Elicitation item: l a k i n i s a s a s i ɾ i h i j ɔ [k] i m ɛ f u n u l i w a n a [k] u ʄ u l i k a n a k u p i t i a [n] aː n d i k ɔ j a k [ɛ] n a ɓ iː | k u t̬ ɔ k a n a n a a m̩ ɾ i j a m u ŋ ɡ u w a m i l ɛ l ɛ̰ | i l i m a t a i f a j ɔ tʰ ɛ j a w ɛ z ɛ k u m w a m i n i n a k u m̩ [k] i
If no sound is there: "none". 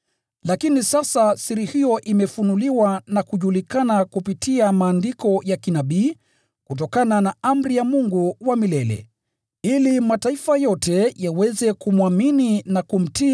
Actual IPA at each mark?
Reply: ʔ, k, m, i, t

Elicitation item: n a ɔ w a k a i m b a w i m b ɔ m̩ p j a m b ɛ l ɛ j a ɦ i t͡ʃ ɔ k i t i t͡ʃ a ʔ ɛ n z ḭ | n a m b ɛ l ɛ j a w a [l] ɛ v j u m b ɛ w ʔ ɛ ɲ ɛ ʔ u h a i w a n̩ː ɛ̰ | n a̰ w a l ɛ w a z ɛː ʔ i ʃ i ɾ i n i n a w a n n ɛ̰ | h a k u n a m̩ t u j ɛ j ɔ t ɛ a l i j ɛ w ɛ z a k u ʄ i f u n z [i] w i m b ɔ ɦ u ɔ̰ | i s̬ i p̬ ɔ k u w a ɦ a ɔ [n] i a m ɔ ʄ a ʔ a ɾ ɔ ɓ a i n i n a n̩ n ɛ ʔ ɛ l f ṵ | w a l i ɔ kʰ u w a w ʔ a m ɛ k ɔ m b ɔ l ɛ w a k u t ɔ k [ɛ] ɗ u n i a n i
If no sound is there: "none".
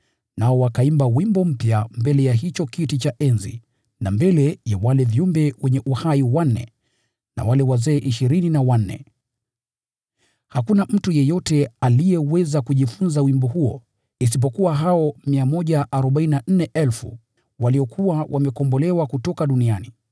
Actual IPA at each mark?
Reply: l, a, m, a

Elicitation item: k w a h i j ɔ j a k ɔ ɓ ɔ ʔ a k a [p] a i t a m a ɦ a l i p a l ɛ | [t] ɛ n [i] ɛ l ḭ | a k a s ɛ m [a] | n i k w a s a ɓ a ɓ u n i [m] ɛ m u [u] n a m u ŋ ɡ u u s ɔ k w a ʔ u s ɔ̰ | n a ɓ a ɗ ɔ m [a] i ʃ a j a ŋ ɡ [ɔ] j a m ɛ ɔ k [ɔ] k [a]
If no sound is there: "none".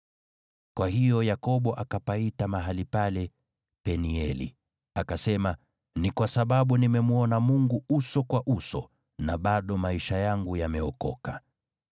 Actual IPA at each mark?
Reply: p, p, i, a, m, ɔ, a, u, ɔ, a

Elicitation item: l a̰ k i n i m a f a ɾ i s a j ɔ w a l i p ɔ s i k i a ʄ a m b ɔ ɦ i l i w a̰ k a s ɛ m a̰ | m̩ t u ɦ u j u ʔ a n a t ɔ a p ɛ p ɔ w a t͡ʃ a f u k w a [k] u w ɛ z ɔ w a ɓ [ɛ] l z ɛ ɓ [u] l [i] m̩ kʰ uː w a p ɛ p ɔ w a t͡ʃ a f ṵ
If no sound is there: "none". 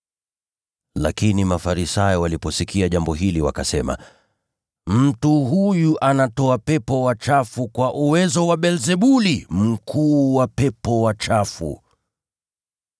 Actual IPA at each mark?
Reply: ʔ, ɛ, u, i

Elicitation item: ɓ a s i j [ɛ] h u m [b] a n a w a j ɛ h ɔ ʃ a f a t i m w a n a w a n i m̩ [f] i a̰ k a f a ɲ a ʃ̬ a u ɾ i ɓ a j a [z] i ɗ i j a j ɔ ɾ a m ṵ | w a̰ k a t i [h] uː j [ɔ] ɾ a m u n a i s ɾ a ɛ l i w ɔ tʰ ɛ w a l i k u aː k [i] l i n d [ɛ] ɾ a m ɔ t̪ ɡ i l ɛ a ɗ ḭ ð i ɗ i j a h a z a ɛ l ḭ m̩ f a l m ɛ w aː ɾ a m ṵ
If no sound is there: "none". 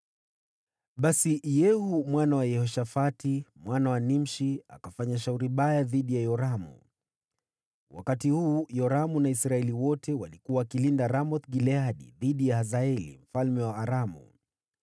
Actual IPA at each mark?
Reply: ɛ, w, ʃ, ð, h, ɔ, i, a

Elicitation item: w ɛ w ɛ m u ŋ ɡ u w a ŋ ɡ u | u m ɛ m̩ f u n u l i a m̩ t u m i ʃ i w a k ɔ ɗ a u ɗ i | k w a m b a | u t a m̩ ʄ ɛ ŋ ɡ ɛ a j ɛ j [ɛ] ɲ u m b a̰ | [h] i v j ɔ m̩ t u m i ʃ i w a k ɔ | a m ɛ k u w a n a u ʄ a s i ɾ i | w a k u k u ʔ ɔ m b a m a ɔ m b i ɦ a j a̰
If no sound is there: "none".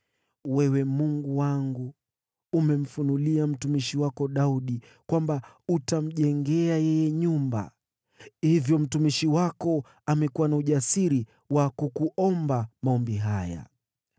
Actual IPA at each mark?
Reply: ɛ, h

